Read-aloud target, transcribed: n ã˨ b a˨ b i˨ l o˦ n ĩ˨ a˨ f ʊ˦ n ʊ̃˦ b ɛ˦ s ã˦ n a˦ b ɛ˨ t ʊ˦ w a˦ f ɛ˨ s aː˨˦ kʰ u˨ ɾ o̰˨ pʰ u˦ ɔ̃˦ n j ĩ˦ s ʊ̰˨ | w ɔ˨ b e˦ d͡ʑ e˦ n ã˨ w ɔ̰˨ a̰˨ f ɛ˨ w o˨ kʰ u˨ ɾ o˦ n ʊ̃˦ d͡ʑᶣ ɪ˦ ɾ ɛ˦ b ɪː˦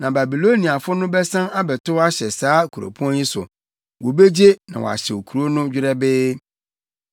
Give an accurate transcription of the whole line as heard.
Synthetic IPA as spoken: n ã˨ b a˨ b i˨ l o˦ n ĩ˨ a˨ f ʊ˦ n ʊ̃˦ b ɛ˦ s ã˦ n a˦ b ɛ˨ t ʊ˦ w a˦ ɕ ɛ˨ s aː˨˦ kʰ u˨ ɾ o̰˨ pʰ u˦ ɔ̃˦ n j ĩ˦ s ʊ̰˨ | w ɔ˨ b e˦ d͡ʑ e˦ n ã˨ w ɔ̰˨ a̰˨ ɕ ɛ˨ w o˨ kʰ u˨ ɾ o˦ n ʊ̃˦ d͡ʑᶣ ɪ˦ ɾ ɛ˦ b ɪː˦

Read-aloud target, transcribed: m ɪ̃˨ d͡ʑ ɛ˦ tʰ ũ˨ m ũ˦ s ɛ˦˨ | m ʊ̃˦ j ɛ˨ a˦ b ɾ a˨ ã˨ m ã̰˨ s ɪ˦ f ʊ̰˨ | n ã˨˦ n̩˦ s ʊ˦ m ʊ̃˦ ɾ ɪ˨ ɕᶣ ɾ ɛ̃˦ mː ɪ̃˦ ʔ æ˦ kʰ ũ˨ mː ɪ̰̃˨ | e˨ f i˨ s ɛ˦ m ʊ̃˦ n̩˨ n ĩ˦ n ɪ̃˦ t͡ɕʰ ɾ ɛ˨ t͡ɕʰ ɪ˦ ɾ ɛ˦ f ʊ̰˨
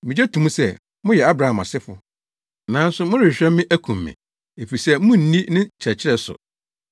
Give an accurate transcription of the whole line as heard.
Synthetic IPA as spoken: m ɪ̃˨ d͡ʑ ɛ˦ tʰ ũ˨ m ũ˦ s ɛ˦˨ | m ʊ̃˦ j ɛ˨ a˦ b ɾ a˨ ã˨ m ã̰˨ s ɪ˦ f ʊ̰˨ | n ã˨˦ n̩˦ s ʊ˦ m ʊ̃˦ ɾ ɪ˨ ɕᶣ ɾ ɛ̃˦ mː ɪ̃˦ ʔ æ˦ kʰ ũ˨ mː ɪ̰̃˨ | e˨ f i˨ s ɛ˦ m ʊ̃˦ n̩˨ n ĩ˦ n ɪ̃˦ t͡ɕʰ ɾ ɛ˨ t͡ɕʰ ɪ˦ ɾ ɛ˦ s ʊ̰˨

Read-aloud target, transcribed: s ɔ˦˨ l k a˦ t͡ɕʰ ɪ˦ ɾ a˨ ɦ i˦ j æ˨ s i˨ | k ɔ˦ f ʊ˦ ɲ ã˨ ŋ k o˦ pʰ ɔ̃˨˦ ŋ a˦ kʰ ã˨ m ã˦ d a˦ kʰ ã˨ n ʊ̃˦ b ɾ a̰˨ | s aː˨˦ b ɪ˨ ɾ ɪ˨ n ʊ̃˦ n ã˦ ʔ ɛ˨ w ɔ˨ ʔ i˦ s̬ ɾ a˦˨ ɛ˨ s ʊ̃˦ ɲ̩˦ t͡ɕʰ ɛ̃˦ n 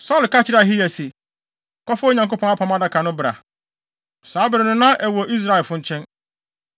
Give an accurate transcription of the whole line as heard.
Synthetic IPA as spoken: s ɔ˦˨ l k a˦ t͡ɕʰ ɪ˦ ɾ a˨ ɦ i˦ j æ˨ s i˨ | k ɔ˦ f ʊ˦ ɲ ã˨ ŋ k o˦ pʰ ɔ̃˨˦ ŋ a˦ pʰ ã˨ m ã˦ d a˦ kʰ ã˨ n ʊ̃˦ b ɾ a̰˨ | s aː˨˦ b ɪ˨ ɾ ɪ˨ n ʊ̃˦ n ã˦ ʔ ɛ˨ w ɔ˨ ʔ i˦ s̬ ɾ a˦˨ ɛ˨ f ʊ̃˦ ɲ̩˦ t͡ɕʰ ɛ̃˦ n

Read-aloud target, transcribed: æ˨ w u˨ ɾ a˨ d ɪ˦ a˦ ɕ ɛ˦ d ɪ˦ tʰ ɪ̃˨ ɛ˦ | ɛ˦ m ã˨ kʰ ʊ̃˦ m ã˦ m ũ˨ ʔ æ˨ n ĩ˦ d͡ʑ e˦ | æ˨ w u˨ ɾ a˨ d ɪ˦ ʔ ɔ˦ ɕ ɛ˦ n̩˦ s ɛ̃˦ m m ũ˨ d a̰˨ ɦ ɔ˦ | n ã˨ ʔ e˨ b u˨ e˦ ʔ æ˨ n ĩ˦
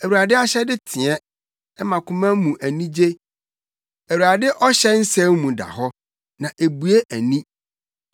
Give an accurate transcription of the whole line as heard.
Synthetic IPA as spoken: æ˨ w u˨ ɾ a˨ d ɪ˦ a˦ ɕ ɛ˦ d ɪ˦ tʰ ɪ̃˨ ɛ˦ | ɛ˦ m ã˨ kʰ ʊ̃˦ m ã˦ m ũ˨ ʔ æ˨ n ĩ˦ d͡ʑ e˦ | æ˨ w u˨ ɾ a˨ d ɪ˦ ʔ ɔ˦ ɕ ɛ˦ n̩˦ s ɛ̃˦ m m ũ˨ d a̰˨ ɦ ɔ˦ | n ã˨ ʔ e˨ b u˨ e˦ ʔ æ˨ n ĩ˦

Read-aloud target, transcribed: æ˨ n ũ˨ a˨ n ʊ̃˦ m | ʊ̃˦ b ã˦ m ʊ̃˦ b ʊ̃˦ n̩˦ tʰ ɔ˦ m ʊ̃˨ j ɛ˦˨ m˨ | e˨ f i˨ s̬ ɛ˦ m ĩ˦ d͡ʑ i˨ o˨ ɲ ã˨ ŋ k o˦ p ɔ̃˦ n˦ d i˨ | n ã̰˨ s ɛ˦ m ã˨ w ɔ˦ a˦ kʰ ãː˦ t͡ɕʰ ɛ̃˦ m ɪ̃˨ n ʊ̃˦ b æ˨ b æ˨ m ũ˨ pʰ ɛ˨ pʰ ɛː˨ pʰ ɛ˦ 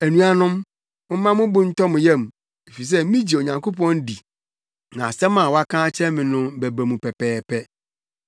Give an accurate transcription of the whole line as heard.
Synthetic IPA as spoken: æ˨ n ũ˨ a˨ n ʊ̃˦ m | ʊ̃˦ m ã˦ m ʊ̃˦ b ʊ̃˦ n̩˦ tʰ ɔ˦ m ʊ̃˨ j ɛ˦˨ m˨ | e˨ f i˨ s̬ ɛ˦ m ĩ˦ d͡ʑ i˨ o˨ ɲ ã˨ ŋ k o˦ p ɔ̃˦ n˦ d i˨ | n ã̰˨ s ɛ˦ m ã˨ w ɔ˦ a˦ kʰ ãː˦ t͡ɕʰ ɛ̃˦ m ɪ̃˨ n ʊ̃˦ b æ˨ b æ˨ m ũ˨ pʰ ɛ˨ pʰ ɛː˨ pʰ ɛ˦

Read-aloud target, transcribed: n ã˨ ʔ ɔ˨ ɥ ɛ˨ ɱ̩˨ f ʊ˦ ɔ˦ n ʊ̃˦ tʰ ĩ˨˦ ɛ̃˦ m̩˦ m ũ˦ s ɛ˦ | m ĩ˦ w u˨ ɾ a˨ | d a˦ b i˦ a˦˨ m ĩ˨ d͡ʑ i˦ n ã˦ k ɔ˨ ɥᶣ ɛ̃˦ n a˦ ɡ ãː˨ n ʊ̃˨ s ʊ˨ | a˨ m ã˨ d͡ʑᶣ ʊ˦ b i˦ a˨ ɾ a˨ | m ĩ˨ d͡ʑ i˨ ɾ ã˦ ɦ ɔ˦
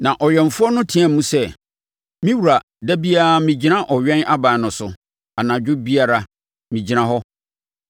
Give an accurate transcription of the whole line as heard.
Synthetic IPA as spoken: n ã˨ ʔ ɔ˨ ɥ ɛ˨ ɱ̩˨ f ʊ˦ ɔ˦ n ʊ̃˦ tʰ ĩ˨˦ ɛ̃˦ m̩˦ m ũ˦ s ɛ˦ | m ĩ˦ w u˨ ɾ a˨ | d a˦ b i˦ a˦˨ m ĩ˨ d͡ʑ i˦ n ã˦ ʔ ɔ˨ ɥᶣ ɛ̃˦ n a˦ b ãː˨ n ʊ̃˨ s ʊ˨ | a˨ n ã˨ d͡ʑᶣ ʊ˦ b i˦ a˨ ɾ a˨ | m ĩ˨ d͡ʑ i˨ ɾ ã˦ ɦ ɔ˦

